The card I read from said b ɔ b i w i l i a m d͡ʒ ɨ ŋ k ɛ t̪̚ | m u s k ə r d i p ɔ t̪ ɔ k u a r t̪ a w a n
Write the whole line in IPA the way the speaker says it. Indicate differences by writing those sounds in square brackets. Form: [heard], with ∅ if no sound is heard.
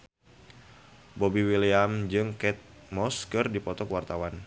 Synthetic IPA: b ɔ b i w i l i a m d͡ʒ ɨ ŋ k ɛ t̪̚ | m [ɔ] s k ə r d i p ɔ t̪ ɔ k [w] a r t̪ a w a n